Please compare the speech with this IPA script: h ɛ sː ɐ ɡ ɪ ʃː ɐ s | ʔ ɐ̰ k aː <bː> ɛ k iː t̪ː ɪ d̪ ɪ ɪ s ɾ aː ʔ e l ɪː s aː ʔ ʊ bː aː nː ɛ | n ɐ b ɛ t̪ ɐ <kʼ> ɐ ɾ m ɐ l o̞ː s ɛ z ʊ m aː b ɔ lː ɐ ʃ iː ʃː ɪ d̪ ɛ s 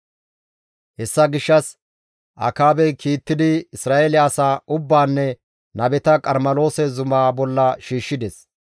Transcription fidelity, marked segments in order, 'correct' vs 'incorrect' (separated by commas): incorrect, correct